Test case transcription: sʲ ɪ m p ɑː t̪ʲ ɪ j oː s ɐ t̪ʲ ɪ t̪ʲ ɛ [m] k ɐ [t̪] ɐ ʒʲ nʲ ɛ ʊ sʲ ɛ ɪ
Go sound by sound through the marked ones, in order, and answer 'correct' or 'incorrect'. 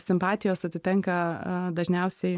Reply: incorrect: ŋ, incorrect: d̪

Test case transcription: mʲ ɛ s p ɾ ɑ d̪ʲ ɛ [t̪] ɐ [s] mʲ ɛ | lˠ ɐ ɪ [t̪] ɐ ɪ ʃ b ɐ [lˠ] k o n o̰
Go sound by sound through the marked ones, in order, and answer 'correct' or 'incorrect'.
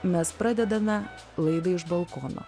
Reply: incorrect: d̪, incorrect: none, incorrect: d̪, correct

